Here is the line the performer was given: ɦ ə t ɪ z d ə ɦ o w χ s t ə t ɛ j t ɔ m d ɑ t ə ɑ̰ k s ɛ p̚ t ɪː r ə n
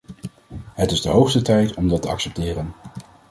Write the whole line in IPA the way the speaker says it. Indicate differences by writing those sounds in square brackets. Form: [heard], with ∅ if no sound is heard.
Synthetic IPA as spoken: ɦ ə t ɪ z d ə ɦ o w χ s t ə t ɛ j t ɔ m d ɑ t ə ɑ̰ k s ɛ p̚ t ɪː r ə n